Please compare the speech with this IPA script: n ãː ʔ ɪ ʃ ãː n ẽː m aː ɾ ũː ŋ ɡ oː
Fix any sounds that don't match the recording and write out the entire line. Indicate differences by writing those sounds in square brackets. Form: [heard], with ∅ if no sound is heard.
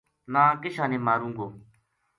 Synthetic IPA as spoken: n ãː [k] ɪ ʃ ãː n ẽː m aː ɾ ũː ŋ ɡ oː